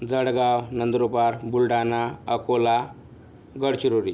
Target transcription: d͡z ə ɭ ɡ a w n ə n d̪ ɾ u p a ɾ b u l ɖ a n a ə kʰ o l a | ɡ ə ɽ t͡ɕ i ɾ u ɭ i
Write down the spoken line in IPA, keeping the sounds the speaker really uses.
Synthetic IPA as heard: d͡z ə ɽ ɡ a w n ə n d̪ ɾ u p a ɾ b u l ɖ a n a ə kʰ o l a | ɡ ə ɽ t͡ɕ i ɾ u ɾ i